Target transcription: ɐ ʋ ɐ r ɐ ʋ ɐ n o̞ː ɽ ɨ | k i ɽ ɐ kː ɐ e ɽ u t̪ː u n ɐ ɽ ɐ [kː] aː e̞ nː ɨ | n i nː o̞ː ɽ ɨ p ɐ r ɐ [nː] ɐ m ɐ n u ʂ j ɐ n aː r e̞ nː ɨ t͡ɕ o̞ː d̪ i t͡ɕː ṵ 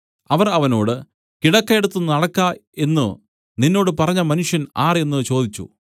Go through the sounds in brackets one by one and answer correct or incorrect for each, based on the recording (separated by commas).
correct, incorrect